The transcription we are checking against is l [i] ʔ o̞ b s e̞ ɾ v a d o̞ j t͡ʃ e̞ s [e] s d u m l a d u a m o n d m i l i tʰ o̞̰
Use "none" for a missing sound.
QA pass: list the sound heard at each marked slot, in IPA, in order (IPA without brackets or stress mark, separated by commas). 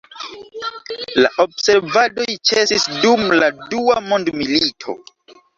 a, i